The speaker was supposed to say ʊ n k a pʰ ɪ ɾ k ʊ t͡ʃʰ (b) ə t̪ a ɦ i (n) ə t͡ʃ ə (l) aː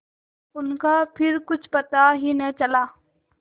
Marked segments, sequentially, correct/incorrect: incorrect, correct, correct

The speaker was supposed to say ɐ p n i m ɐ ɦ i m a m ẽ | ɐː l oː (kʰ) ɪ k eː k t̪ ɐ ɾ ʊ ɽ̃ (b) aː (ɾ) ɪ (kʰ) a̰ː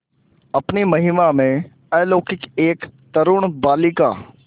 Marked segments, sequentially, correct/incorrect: incorrect, correct, incorrect, incorrect

